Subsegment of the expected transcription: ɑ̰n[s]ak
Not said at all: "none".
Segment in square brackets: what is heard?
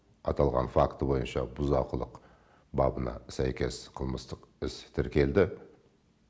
f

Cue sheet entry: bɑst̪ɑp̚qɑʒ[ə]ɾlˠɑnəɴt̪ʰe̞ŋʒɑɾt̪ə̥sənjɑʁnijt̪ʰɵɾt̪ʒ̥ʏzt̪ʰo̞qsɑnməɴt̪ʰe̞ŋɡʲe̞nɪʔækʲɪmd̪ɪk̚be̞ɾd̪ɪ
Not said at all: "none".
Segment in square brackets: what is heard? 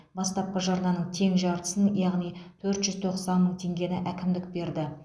ɑ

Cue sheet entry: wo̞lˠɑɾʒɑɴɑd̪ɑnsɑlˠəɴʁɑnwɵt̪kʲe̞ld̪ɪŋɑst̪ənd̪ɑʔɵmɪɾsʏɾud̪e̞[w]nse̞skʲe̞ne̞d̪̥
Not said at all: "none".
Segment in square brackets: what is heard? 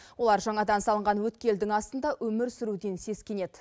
none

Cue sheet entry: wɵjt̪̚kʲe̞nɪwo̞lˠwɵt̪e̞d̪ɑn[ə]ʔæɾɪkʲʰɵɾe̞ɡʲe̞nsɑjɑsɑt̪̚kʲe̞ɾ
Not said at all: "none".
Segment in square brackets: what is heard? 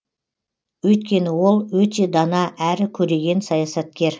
ɑ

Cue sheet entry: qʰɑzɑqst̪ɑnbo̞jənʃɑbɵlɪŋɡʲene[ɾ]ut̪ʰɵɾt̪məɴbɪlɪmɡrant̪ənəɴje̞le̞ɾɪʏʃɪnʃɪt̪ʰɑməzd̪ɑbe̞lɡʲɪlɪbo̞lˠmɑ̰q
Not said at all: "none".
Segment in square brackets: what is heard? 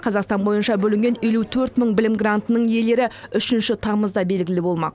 l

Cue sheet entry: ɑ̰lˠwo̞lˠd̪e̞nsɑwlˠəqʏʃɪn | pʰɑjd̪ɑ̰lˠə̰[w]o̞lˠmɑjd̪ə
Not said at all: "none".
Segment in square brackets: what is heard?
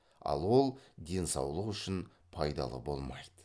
b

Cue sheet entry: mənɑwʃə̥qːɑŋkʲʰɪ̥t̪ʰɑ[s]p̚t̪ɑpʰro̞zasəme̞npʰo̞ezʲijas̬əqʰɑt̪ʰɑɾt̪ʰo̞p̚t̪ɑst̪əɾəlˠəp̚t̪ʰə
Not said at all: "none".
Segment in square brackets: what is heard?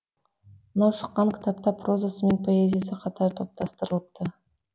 none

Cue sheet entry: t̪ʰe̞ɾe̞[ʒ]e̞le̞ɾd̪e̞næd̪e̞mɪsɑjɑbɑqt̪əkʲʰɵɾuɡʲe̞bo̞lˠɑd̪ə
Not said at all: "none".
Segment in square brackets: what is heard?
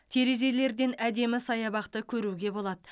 z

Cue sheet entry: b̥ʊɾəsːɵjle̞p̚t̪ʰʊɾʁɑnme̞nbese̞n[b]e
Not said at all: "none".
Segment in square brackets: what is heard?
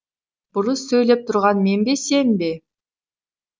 b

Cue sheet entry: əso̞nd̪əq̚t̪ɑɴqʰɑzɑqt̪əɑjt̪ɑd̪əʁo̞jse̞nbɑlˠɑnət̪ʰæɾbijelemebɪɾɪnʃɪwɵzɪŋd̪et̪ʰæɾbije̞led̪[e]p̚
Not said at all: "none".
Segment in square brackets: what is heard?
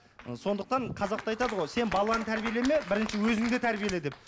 e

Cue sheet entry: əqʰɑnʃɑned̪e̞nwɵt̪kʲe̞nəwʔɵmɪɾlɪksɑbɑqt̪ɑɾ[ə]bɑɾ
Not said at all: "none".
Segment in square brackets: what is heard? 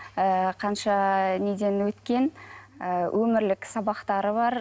ə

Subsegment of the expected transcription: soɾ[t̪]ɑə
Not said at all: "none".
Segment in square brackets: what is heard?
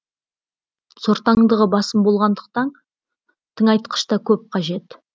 t̪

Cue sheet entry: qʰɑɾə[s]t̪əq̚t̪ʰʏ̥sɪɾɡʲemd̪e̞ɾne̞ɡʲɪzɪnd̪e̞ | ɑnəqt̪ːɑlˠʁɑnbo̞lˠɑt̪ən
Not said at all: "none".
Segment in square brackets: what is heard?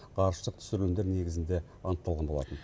ʃ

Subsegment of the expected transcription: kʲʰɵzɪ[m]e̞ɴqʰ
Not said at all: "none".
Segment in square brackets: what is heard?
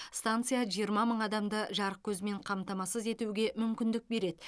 m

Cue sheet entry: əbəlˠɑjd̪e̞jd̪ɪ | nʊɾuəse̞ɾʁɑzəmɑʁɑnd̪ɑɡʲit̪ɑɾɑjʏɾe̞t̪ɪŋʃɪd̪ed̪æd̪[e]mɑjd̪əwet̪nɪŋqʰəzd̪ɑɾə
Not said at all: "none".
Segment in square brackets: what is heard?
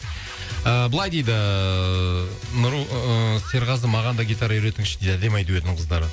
e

